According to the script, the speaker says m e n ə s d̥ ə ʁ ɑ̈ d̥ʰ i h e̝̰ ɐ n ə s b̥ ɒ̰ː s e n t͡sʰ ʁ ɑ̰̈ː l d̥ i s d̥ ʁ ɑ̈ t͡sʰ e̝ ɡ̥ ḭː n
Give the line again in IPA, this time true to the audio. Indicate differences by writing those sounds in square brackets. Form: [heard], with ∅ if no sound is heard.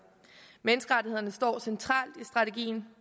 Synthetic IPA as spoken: m e n ə s [ɡ̥] ə ʁ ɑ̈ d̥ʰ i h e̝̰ ɐ n ə s [d̥] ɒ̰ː s e n t͡sʰ ʁ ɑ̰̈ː l d̥ i s d̥ ʁ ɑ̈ t͡sʰ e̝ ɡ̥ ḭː n